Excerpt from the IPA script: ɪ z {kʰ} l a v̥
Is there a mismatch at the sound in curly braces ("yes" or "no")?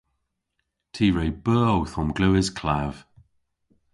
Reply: no